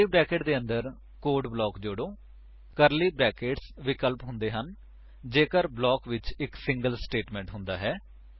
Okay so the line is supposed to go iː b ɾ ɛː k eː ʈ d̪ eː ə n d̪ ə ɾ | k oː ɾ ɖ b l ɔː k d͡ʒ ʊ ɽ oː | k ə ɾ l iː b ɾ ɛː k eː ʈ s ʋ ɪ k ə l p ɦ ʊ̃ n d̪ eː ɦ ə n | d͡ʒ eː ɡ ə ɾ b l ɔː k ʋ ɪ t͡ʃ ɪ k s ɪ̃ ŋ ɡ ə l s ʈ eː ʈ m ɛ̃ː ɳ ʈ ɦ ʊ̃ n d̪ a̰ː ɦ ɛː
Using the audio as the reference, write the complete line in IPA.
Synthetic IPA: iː b ɾ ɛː k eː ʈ d̪ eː ə n d̪ ə ɾ | k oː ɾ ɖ b l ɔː k d͡ʒ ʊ ɽ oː | k ə ɾ l iː b ɾ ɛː k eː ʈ s ʋ ɪ k ə l p ɦ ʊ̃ n d̪ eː ɦ ə n | d͡ʒ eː k ə ɾ b l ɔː k ʋ ɪ t͡ʃ ɪ k s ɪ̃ ŋ ɡ ə l s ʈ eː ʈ m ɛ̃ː ɳ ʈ ɦ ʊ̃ n d̪ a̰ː ɦ ɛː